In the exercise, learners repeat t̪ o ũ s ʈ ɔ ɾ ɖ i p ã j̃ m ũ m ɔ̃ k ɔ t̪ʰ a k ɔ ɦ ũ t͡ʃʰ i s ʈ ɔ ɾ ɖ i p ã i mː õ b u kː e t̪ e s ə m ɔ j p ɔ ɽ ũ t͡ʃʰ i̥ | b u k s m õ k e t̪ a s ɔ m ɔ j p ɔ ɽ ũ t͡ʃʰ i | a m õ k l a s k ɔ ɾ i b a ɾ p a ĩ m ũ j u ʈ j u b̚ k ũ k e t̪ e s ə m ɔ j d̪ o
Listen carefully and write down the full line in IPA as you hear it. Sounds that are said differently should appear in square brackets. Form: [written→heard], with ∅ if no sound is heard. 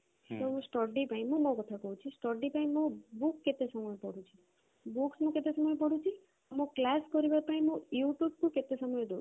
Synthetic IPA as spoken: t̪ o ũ s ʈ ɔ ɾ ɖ i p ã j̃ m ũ m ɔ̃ k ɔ t̪ʰ a k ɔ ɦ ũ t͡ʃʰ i s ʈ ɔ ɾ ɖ i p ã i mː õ b u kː e t̪ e s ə m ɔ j p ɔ ɽ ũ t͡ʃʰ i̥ | b u k s m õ k e t̪ [a→e] s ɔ m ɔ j p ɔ ɽ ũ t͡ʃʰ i | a m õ k l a s k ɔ ɾ i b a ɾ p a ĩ m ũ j u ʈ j u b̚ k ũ k e t̪ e s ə m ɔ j d̪ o

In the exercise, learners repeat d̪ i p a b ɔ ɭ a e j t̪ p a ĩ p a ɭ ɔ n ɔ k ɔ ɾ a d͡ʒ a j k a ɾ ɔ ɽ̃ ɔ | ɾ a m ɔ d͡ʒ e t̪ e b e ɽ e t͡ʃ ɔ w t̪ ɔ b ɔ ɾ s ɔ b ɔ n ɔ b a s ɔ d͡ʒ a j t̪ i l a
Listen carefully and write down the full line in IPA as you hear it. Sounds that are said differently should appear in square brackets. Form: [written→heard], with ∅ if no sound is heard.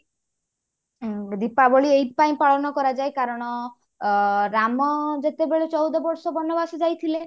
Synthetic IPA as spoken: d̪ i p a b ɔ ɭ [a→i] e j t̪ p a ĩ p a ɭ ɔ n ɔ k ɔ ɾ a d͡ʒ a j k a ɾ ɔ ɽ̃ ɔ | ɾ a m ɔ d͡ʒ e t̪ e b e [ɽ→ɭ] e t͡ʃ ɔ w [t̪→d̪] ɔ b ɔ ɾ s ɔ b ɔ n ɔ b a s ɔ d͡ʒ a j [t̪→t̪ʰ] i l [a→e]

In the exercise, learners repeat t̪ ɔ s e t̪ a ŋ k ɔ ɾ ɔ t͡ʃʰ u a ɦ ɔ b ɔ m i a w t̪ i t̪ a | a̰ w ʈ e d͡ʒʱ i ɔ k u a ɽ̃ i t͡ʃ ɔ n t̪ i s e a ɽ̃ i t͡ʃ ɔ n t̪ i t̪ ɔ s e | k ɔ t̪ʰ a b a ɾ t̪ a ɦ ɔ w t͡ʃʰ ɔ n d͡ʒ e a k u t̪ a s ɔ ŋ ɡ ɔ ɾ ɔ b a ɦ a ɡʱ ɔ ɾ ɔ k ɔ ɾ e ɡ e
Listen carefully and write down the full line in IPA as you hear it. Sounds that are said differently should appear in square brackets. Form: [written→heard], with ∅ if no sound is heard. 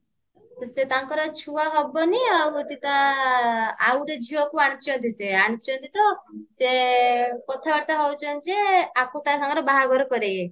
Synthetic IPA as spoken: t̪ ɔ s e t̪ a ŋ k ɔ ɾ ɔ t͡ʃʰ u a ɦ ɔ b ɔ [m→n] i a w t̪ i t̪ a | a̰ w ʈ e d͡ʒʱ i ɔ k u a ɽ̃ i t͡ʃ ɔ n t̪ i s e a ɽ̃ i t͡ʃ ɔ n t̪ i t̪ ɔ s e | k ɔ t̪ʰ a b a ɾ t̪ a ɦ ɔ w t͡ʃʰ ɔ n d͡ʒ e a k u t̪ a s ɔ ŋ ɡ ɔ ɾ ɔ b a ɦ a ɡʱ ɔ ɾ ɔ k ɔ ɾ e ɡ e

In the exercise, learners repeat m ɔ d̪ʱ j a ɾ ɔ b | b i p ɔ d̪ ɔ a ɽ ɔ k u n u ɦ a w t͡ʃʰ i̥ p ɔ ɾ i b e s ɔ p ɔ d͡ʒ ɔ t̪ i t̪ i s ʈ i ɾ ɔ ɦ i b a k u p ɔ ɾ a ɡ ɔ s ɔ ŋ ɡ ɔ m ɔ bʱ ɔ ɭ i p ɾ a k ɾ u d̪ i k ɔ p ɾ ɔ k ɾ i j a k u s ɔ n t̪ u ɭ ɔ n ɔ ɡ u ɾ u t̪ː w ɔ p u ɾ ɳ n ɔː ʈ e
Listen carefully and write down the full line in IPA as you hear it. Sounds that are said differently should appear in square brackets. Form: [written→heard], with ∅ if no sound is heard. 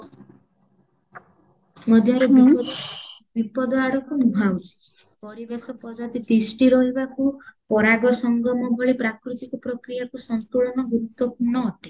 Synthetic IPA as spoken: m ɔ d̪ʱ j a ɾ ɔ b | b i p ɔ d̪ ɔ a ɽ ɔ k u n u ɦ a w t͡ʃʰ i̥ p ɔ ɾ i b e s ɔ p ɔ d͡ʒ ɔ t̪ i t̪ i s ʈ i ɾ ɔ ɦ i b a k u p ɔ ɾ a ɡ ɔ s ɔ ŋ ɡ ɔ m ɔ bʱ ɔ ɭ i p ɾ a k ɾ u [d̪→t̪] i k ɔ p ɾ ɔ k ɾ i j a k u s ɔ n t̪ u ɭ ɔ n ɔ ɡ u ɾ u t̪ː w ɔ p u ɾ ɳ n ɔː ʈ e

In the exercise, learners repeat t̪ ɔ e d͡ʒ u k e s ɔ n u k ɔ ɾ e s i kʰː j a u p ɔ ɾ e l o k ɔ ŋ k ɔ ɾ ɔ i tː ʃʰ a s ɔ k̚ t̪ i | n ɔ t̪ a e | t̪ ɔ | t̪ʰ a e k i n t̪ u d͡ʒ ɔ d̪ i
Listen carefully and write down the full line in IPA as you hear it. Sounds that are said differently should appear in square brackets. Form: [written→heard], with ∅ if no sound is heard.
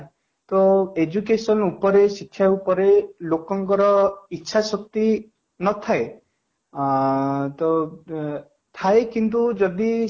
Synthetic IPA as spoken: t̪ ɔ e d͡ʒ u k e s ɔ n u [k→p] ɔ ɾ e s i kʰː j a u p ɔ ɾ e l o k ɔ ŋ k ɔ ɾ ɔ i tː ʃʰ a s ɔ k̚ t̪ i | n ɔ [t̪→t̪ʰ] a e | t̪ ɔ | t̪ʰ a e k i n t̪ u d͡ʒ ɔ d̪ i

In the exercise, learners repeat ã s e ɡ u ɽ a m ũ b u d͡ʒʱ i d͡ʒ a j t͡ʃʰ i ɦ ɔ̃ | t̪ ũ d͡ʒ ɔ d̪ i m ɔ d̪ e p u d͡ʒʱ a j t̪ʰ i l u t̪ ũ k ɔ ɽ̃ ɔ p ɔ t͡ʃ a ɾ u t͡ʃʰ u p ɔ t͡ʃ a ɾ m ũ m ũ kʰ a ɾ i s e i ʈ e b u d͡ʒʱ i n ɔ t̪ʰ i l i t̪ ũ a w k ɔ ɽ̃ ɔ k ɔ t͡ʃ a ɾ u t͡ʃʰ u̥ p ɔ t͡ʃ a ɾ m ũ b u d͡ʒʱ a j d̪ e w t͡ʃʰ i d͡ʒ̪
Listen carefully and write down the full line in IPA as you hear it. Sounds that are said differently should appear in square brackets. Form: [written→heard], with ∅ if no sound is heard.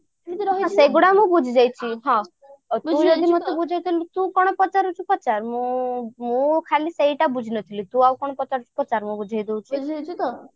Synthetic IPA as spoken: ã s e ɡ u ɽ a m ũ b u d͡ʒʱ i d͡ʒ a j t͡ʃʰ i ɦ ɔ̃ | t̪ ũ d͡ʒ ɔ d̪ i m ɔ [d̪→t̪] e [p→b] u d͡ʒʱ a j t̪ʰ i l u t̪ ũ k ɔ ɽ̃ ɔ p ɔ t͡ʃ a ɾ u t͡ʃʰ u p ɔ t͡ʃ a ɾ m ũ m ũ kʰ a [ɾ→l] i s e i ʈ [e→a] b u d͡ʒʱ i n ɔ t̪ʰ i l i t̪ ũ a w k ɔ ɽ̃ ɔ [k→p] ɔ t͡ʃ a ɾ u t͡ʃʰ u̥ p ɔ t͡ʃ a ɾ m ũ b u d͡ʒʱ a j d̪ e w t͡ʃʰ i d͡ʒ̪

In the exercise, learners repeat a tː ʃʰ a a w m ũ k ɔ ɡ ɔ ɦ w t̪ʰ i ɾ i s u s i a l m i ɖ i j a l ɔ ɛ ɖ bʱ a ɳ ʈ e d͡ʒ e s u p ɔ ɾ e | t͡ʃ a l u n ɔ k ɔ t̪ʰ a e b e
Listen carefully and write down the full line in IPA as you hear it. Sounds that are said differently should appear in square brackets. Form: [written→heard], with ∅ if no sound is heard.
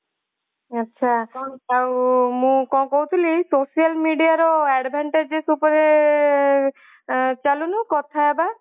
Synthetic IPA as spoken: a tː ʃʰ a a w m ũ k ɔ [ɡ→k] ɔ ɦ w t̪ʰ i [ɾ→l] i s [u→o] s i a l m i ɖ i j a [l→ɾ] ɔ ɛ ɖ bʱ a ɳ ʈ e d͡ʒ e s u p ɔ ɾ e | t͡ʃ a l u n [ɔ→u] k ɔ t̪ʰ a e b [e→a]

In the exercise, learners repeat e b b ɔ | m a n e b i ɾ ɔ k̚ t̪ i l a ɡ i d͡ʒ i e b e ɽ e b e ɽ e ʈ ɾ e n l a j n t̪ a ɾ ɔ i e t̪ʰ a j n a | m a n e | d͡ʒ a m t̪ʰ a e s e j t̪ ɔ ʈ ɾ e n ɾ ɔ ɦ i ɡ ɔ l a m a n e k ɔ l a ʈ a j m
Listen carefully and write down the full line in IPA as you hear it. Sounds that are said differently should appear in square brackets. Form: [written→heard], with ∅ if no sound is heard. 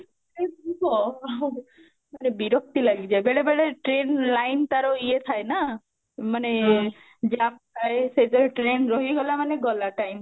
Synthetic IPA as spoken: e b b ɔ | m a n e b i ɾ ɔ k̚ t̪ i l a ɡ i d͡ʒ [i→a] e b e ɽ e b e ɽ e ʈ ɾ e n l a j n t̪ a ɾ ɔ i e t̪ʰ a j n a | m a n e | d͡ʒ a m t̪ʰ a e s e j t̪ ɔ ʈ ɾ e n ɾ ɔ ɦ i ɡ ɔ l a m a n e [k→ɡ] ɔ l a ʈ a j m

